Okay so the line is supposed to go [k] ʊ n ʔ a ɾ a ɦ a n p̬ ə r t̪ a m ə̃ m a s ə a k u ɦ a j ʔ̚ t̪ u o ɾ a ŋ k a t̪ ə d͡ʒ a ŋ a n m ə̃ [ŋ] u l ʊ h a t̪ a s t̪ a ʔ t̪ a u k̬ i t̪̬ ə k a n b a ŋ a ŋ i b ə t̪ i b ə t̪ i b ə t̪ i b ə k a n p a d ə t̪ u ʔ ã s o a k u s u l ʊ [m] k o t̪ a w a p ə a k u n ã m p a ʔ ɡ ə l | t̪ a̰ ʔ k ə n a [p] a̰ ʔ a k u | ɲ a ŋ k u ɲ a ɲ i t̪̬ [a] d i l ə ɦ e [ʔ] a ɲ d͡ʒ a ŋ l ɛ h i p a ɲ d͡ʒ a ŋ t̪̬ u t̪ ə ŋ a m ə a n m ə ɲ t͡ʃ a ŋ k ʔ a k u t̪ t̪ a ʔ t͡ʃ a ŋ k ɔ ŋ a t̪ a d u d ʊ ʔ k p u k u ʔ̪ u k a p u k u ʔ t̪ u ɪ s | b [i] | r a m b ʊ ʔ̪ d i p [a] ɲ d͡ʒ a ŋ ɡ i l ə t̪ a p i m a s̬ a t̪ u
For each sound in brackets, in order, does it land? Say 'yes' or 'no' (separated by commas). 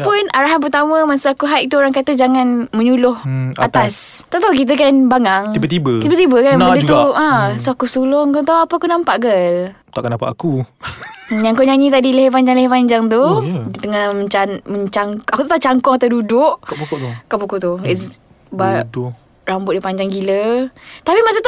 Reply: no, no, no, yes, yes, no, no, yes